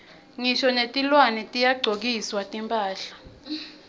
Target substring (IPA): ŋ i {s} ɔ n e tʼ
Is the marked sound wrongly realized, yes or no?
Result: yes